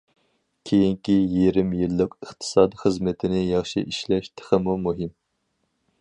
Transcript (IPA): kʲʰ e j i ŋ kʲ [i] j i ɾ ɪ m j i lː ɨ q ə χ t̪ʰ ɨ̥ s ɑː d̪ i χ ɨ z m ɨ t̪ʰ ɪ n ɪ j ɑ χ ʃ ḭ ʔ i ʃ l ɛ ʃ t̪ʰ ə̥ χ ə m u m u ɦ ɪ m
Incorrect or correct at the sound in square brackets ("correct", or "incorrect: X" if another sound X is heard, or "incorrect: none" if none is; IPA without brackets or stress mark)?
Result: correct